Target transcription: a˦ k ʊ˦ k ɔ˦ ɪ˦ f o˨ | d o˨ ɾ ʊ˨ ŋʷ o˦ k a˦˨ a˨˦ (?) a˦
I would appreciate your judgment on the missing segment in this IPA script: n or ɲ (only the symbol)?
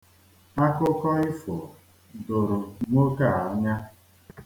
ɲ